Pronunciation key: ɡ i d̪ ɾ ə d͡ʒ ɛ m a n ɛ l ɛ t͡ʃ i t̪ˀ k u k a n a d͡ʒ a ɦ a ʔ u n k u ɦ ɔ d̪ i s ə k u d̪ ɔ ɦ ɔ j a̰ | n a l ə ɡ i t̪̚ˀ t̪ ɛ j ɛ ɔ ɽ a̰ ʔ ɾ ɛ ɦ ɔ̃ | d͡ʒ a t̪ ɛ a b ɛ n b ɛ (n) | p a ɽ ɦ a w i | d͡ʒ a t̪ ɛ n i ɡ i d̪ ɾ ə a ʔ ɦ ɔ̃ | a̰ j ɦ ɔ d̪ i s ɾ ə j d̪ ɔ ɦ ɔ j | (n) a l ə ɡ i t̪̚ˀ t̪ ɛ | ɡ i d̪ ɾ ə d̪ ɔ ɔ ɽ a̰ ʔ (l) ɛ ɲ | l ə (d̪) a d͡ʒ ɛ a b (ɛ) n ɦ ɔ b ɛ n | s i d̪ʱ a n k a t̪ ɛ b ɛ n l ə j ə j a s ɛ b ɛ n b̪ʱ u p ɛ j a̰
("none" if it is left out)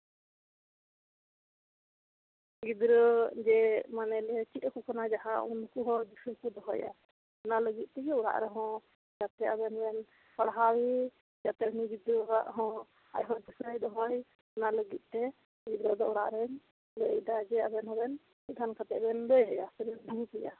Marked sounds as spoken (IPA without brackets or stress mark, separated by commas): n, n, ɾ, d̪, ɛ